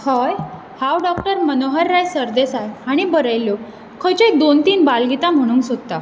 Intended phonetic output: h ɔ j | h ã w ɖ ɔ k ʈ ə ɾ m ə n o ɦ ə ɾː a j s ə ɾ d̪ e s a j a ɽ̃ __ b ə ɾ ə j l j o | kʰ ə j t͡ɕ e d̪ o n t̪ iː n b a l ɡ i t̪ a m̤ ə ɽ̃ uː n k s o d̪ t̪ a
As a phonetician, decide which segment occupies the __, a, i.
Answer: i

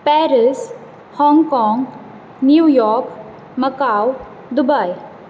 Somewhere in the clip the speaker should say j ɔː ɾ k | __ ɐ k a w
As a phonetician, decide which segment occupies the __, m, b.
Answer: m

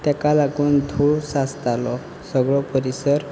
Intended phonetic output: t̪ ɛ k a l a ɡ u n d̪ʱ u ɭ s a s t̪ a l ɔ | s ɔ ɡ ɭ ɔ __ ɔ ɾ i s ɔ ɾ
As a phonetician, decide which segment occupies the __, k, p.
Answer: p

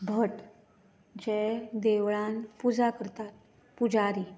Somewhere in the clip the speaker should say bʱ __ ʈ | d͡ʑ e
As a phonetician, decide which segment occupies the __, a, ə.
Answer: ə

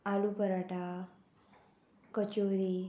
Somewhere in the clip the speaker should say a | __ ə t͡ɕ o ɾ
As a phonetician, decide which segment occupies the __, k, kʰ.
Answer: k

